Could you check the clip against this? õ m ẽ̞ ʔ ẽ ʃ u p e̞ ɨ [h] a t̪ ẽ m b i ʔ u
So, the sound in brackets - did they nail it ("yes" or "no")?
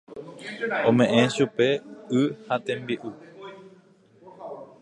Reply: yes